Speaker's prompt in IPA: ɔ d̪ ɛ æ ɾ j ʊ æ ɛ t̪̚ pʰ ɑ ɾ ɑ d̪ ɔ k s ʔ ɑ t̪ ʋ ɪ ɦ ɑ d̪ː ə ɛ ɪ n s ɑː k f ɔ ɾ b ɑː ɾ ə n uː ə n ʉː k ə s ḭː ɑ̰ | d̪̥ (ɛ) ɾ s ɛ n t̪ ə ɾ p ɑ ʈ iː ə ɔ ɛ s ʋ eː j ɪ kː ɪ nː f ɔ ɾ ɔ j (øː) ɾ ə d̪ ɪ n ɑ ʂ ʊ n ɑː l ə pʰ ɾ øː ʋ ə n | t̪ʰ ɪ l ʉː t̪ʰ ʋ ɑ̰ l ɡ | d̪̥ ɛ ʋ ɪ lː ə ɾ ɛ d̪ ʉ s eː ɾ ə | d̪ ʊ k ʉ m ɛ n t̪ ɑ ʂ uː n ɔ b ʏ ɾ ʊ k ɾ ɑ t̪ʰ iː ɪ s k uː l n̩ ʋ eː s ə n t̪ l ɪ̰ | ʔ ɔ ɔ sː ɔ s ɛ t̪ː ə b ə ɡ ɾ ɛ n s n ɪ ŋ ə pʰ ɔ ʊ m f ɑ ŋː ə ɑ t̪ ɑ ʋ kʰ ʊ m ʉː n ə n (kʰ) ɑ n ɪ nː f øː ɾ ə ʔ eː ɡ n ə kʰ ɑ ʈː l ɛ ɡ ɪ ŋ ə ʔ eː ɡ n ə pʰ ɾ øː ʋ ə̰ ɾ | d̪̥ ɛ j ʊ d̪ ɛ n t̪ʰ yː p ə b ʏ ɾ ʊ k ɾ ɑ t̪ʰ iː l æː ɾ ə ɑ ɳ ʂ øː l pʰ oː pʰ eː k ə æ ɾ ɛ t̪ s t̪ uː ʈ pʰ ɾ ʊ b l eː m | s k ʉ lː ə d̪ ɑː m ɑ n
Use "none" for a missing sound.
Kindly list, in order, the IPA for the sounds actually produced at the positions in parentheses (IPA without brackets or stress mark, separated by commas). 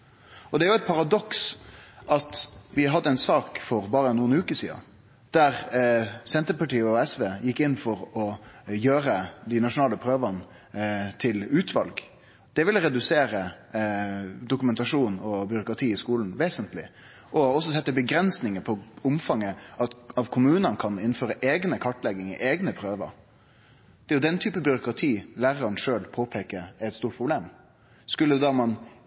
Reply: æ, øː, kʰ